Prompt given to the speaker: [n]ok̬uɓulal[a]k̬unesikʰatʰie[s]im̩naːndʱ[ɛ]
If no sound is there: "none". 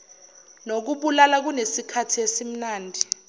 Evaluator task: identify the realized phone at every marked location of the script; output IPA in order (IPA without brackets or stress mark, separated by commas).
n, a, s, i